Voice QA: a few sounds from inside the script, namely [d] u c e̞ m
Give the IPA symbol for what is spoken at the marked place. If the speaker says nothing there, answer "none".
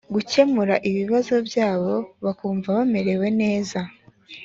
ɡ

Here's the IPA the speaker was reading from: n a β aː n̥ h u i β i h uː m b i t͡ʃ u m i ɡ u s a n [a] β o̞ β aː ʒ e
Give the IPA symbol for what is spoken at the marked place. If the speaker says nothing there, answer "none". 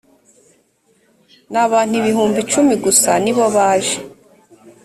i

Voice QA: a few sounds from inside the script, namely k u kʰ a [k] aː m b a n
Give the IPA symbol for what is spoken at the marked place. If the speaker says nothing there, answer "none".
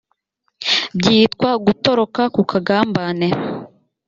ɡ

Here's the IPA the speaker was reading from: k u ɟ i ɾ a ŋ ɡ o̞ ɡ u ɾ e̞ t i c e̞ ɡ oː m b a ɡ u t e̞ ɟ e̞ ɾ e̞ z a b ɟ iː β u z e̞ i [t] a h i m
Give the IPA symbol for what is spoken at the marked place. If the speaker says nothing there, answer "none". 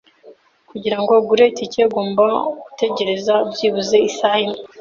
s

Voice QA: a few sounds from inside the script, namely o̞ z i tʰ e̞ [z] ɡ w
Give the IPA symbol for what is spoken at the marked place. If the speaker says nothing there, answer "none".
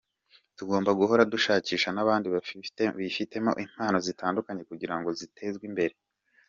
z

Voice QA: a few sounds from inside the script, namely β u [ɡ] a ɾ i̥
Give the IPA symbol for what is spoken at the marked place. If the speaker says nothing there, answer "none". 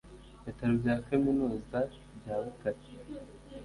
k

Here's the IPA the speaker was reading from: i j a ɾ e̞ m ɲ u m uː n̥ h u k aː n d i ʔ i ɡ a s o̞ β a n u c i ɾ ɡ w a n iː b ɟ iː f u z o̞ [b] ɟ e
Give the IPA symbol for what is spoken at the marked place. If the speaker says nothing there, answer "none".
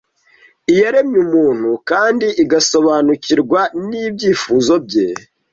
b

